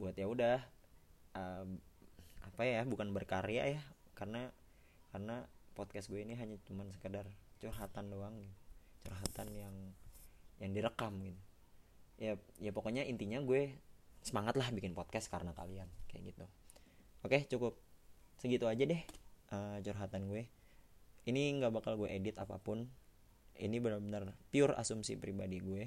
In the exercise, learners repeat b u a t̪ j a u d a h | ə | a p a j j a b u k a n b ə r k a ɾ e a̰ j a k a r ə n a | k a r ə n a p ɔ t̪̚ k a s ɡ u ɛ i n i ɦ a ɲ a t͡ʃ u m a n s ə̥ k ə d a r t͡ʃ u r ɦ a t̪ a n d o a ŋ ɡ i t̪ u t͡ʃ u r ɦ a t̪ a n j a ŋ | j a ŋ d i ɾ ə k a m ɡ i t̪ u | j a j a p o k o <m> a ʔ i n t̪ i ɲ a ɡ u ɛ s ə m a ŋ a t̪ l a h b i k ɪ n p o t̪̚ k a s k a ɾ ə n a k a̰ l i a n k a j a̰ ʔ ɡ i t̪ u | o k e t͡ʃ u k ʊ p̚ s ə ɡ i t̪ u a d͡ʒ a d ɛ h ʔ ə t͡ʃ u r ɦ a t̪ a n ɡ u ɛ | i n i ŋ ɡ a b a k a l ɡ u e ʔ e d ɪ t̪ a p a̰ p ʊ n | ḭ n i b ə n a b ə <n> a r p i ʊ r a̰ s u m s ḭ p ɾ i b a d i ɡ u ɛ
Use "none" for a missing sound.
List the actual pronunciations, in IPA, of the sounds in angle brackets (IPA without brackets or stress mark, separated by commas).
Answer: ɲ, n